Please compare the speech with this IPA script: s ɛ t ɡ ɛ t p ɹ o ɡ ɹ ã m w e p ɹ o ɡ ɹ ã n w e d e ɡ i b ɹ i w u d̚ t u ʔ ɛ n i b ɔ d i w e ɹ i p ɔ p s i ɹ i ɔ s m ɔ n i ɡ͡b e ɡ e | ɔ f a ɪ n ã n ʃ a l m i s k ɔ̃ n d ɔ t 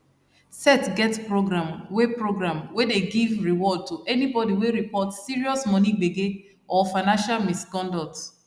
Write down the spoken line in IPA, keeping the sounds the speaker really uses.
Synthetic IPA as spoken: s ɛ t ɡ ɛ t p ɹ o ɡ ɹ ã m w e p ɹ o ɡ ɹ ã m w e d e ɡ i v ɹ i w ɔ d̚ t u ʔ ɛ n i b ɔ d i w e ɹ i p ɔ t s i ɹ i ɔ s m ɔ n i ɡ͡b e ɡ e | ɔ f a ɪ n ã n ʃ a l m i s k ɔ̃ n d ɔ t

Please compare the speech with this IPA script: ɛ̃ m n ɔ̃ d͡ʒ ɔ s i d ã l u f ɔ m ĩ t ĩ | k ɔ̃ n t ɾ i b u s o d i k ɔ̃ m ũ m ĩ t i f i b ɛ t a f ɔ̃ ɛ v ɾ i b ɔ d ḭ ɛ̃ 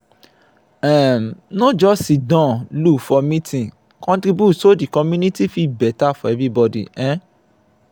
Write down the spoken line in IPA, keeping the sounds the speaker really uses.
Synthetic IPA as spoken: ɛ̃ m n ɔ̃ d͡ʒ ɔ s i d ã l u f ɔ m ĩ t ĩ | k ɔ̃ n t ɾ i b u s o d i k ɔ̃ m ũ n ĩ t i f i b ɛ t a f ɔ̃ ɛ v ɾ i b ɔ d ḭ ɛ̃

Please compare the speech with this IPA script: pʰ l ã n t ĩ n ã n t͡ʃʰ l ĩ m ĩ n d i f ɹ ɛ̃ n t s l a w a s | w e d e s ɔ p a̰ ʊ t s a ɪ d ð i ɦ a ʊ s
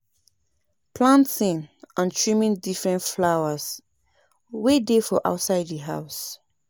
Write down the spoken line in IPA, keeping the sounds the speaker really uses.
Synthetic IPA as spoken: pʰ l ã n t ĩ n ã n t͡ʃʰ ɹ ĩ m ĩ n d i f ɹ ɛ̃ n t f l a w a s | w e d e f ɔ ʔ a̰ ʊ t s a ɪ d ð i ɦ a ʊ s

